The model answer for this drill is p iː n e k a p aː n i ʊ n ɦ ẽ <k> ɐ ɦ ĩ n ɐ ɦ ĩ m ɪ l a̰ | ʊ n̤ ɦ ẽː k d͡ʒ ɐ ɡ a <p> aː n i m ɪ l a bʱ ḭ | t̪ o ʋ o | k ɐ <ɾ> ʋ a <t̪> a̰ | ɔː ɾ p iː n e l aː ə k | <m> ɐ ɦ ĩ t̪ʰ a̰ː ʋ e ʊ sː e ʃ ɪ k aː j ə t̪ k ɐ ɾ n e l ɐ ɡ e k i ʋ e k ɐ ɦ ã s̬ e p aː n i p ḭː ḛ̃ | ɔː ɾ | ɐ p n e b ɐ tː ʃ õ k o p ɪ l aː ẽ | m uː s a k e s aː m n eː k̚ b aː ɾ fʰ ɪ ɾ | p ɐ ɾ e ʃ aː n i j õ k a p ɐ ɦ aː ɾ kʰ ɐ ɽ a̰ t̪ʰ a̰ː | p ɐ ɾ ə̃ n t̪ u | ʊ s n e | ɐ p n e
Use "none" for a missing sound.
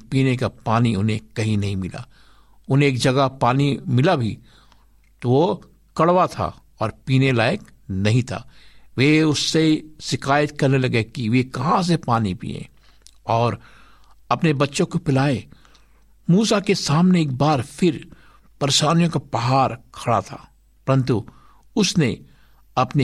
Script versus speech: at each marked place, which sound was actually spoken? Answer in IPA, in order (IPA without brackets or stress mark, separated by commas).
k, p, ɽ, t̪ʰ, n